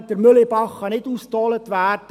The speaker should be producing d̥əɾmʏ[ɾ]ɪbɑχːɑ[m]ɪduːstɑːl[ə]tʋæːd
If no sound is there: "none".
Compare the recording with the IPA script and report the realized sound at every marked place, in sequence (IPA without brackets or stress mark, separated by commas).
l, n, ə